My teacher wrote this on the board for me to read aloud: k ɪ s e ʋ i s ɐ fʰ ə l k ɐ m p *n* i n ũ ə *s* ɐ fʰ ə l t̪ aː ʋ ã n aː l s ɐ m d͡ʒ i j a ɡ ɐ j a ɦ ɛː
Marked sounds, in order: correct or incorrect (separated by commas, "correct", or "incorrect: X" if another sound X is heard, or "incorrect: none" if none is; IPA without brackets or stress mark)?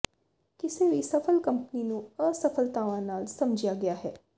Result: correct, correct